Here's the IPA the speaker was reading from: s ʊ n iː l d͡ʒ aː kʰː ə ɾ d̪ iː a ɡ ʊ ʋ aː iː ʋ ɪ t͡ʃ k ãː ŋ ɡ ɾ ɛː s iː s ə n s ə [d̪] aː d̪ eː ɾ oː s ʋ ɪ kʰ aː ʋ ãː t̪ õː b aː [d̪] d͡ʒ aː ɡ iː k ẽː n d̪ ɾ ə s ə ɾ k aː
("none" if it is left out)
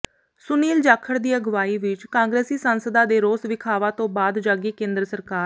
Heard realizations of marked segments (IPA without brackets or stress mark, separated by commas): d̪, d̪